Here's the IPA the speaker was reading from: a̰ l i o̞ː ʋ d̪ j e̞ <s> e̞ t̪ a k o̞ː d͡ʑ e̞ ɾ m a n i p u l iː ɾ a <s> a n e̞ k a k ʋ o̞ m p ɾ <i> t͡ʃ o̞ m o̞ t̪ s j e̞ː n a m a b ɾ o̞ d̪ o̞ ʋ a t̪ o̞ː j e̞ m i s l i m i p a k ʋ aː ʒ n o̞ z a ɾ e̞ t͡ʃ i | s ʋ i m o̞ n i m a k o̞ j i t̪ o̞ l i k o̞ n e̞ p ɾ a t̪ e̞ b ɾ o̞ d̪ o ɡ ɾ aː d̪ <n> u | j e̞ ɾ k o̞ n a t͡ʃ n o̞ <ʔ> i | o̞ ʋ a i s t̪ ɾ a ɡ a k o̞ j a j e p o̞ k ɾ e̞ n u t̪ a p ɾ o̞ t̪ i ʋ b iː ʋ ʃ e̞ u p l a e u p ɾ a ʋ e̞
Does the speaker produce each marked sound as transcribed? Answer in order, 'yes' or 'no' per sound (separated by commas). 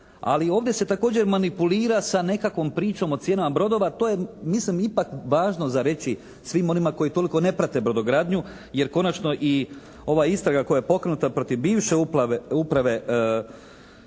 yes, yes, no, no, yes